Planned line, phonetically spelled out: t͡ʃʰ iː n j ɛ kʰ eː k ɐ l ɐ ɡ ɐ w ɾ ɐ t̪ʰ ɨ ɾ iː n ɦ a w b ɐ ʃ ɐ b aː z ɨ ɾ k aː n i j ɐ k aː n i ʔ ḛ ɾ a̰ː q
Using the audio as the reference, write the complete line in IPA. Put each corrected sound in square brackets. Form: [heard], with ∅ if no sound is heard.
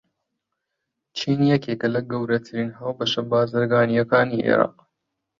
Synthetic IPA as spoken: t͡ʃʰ iː n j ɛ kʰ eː k ɐ l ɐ ɡ ɐ w ɾ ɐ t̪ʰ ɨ ɾ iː n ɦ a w b ɐ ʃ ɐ b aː z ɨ ɾ [ɡ] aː n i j ɐ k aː n i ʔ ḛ ɾ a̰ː q